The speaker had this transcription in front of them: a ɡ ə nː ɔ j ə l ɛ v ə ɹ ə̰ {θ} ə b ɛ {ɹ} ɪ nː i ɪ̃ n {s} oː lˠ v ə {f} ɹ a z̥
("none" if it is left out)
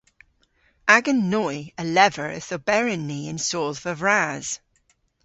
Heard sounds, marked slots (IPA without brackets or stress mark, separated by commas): θ, ɹ, s, v